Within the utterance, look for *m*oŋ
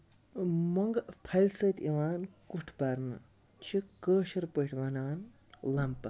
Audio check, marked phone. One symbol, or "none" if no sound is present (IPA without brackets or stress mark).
m